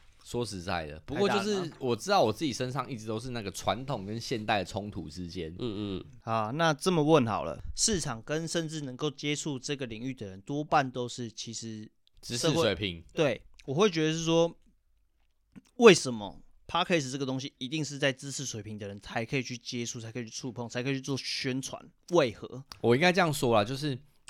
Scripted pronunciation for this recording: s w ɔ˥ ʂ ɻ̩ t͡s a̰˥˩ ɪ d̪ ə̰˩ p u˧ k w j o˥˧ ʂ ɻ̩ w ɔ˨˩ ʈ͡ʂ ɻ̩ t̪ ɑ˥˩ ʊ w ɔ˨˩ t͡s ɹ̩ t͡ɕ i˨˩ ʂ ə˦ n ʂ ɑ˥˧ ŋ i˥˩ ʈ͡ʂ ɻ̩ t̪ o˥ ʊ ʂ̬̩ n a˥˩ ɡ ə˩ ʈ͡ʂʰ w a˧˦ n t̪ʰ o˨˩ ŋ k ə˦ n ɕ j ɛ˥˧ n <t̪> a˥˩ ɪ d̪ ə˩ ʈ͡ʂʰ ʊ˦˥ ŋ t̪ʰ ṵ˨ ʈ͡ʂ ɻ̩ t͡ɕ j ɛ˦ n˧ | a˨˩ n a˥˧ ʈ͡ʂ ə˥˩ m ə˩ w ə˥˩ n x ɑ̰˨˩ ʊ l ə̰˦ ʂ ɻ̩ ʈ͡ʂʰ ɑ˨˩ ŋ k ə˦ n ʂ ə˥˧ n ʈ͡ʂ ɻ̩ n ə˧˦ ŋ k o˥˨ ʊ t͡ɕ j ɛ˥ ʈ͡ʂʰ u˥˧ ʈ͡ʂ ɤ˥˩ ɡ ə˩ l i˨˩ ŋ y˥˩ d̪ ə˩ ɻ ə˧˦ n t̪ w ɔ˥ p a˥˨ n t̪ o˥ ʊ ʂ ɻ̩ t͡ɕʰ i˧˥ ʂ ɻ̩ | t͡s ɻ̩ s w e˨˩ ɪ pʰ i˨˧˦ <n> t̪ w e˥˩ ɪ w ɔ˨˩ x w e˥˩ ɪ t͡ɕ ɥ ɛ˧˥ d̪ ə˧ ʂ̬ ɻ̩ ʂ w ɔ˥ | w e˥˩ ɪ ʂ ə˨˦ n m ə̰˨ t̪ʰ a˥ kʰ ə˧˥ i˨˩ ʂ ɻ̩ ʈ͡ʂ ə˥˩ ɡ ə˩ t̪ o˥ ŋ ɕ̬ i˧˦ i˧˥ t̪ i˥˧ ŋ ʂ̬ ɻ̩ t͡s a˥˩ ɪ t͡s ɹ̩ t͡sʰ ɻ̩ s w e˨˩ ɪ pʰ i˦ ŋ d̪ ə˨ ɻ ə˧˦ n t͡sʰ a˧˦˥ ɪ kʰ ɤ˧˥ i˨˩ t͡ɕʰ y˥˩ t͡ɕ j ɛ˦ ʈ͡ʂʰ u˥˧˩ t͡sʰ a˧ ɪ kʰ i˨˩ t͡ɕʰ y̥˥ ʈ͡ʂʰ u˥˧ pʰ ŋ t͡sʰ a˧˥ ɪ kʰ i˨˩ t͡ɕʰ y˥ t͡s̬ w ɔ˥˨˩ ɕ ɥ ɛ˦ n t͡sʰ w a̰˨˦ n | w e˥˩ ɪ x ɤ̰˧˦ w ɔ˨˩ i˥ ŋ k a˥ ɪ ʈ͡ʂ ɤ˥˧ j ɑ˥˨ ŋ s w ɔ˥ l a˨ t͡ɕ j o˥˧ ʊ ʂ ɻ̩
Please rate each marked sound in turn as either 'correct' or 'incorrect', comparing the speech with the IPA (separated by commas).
correct, incorrect